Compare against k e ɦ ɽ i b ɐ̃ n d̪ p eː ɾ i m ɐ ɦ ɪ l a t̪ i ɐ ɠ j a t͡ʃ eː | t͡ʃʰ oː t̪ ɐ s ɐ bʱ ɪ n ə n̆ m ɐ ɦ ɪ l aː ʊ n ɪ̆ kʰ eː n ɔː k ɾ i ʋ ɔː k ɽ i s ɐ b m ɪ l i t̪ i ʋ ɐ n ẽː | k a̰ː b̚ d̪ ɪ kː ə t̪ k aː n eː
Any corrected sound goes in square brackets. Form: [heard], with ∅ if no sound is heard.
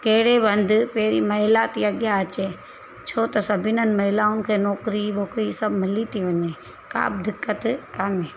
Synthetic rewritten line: k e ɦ ɽ [e] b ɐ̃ n d̪ p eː ɾ i m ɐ ɦ ɪ l a t̪ i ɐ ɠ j a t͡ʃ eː | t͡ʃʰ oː t̪ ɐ s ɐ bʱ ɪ n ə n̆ m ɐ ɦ ɪ l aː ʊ n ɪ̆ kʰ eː n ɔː k ɾ i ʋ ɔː k [ɾ] i s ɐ b m ɪ l i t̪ i ʋ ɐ [ɲ] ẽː | k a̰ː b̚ d̪ ɪ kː ə t̪ k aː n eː